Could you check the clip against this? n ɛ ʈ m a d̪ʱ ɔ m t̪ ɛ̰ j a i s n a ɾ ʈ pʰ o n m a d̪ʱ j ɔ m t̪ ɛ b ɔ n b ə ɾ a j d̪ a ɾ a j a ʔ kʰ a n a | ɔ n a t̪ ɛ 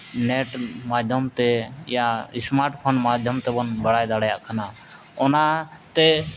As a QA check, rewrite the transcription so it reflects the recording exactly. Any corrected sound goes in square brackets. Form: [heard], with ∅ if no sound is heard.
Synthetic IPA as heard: n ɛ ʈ m a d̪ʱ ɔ m t̪ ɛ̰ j a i s [m] a ɾ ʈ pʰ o n m a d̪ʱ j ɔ m t̪ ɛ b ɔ n b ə [ɽ] a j d̪ a [ɽ] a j a ʔ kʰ a n a | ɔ n a t̪ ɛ